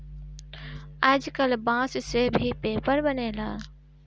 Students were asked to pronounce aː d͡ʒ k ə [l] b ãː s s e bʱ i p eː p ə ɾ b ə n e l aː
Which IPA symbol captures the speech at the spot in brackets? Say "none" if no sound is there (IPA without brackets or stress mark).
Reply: l